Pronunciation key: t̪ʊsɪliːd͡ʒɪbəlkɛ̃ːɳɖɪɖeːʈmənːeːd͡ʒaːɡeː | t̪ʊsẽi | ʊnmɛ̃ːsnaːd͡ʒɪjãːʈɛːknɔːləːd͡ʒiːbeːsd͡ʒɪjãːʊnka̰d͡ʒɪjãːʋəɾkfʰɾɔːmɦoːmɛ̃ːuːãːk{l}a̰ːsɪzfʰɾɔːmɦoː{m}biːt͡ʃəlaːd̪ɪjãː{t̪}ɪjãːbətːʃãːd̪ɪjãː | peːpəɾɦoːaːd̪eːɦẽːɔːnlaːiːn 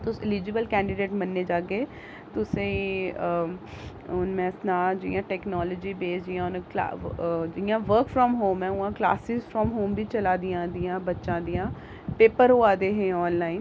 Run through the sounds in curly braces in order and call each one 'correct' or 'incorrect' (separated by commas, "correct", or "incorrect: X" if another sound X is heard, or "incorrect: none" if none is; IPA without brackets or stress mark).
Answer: correct, correct, incorrect: d̪